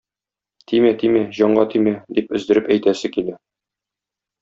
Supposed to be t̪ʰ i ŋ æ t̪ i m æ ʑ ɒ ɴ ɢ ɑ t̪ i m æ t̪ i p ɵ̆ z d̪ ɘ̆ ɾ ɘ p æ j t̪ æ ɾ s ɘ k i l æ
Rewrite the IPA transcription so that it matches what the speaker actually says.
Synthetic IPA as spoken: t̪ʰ i m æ t̪ i m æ ʑ ɒ ɴ ɢ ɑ t̪ i m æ d̪ i p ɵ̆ z d̪ ɘ̆ ɾ ɘ p æ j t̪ æ s ɘ k i l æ